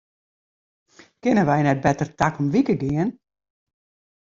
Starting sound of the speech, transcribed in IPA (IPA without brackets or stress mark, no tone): k